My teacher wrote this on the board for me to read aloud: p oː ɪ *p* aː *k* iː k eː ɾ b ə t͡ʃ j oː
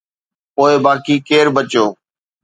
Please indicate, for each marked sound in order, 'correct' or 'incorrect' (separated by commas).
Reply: incorrect, correct